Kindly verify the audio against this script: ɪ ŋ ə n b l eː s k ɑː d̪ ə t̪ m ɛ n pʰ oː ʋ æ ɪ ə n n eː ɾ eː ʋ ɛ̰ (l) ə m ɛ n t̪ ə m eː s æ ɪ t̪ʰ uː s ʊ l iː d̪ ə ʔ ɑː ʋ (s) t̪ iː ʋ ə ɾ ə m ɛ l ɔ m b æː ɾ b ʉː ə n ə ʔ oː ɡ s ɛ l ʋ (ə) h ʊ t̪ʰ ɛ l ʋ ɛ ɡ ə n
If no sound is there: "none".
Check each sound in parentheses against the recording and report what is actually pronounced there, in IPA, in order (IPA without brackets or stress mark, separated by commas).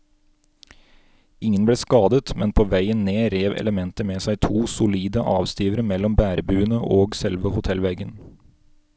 l, s, ə